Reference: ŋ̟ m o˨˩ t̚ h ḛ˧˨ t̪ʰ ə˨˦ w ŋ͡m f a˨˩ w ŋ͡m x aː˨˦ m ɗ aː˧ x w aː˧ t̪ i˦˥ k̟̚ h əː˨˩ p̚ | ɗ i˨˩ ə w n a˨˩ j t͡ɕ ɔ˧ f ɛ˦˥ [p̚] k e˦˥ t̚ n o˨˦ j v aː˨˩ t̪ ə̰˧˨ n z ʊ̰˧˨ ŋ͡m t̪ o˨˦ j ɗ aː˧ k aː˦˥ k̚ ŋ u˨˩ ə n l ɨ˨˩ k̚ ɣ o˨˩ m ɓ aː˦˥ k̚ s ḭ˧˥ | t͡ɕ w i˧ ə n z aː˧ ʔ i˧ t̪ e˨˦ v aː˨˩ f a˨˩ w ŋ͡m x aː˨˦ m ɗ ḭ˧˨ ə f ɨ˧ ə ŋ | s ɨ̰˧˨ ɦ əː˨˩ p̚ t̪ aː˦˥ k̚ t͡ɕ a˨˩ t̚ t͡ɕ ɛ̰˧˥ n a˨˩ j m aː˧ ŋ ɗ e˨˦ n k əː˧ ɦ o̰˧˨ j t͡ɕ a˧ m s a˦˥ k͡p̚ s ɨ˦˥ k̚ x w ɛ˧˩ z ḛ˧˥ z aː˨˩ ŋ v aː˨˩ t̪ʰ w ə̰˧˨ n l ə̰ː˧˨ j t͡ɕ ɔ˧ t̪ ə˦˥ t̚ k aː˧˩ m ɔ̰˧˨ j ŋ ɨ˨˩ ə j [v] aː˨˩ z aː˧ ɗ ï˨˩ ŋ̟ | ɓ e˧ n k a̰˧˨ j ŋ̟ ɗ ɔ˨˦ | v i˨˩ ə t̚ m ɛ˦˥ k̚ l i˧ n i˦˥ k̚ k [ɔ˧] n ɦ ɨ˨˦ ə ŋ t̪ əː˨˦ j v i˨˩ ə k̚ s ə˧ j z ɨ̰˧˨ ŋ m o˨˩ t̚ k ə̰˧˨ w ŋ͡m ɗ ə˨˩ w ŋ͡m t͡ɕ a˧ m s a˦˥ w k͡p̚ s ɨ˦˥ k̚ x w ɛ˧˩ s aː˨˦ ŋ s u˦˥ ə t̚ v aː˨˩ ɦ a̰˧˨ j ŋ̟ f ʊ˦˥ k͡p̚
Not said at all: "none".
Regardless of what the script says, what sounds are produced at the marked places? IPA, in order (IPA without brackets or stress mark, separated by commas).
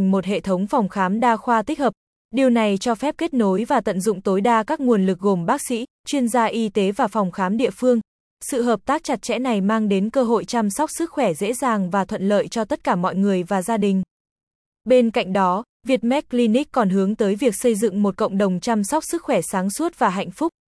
p̚, v, ɔ˨˩